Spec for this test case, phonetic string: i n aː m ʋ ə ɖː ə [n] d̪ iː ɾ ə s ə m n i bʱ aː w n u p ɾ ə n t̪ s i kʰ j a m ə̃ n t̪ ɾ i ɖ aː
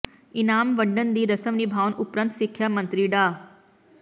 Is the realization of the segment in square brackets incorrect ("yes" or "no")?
no